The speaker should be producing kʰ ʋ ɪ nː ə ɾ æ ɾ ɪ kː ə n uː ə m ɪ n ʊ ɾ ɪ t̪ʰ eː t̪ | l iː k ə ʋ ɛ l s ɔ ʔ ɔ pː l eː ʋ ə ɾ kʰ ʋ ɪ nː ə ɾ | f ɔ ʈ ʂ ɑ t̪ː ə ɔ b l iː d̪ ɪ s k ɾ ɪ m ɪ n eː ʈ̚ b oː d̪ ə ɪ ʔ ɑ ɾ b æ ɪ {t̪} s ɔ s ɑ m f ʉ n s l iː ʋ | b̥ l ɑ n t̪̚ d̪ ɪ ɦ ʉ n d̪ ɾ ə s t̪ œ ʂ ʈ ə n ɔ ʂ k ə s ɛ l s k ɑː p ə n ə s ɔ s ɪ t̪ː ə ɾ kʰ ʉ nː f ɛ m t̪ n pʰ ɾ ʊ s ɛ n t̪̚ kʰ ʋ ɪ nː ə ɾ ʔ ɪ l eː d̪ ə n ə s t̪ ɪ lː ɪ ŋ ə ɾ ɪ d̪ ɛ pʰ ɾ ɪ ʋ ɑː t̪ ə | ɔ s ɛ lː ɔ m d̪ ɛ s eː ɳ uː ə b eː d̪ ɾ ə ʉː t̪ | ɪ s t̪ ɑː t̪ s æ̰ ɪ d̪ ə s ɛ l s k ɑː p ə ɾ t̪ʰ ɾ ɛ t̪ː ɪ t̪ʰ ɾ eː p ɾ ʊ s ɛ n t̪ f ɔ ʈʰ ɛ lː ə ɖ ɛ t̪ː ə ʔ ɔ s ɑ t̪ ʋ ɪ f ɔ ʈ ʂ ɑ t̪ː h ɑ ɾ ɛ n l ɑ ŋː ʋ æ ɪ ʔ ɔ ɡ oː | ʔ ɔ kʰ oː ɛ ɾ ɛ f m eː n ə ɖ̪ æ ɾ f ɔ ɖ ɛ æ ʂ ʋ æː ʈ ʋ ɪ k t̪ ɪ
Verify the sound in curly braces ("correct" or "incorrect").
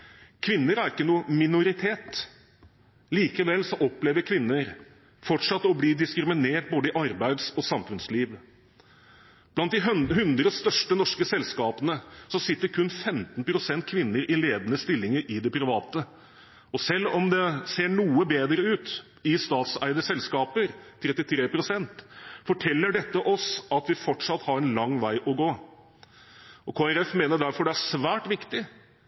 incorrect